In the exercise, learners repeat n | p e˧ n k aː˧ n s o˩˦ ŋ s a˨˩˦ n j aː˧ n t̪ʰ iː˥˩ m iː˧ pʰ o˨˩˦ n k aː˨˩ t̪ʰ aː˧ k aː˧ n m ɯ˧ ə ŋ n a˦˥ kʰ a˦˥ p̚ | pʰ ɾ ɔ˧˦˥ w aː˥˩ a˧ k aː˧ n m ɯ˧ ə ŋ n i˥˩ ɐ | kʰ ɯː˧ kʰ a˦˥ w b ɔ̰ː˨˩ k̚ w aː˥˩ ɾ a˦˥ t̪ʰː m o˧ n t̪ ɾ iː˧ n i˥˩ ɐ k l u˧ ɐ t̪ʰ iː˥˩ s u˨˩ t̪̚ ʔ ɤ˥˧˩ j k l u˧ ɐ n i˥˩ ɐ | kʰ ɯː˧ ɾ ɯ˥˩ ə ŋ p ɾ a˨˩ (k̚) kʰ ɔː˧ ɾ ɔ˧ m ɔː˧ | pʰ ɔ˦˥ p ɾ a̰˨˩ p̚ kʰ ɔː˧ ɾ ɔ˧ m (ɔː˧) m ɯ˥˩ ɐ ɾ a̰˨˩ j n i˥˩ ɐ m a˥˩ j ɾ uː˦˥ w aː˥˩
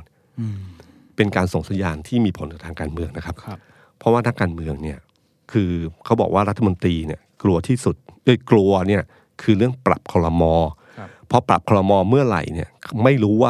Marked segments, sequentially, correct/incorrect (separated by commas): incorrect, correct